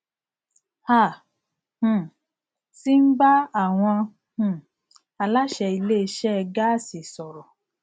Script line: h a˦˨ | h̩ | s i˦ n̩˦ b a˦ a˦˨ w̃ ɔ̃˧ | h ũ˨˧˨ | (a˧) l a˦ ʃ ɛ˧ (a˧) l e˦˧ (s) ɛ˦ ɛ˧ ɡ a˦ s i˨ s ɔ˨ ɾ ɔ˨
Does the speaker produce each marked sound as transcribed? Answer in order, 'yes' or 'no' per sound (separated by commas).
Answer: yes, no, no